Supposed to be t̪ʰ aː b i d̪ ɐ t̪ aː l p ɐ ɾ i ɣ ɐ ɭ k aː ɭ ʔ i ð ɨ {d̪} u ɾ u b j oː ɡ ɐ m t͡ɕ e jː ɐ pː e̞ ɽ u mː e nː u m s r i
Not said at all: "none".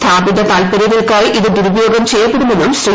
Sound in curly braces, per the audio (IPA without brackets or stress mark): d̪